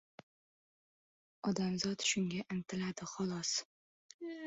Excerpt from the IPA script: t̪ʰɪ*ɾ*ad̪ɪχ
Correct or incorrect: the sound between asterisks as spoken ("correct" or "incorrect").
incorrect